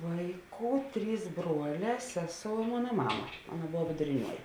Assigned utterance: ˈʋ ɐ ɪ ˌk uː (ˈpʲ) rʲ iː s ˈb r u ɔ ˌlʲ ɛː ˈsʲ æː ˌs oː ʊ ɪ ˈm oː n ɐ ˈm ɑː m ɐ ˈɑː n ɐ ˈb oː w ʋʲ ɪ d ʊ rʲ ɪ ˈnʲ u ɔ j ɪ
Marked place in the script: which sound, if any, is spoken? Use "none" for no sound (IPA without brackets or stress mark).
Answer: tʲ